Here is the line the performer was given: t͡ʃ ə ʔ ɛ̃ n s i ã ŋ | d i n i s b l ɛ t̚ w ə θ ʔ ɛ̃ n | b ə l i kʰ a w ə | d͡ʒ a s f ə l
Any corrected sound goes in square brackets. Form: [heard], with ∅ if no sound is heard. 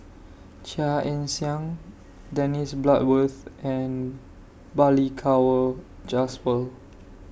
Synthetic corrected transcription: t͡ʃ [a] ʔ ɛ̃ n s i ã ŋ | d [ɛ] n i s b l [a] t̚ w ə θ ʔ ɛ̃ n | b [a] l i kʰ a w ə | d͡ʒ a s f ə l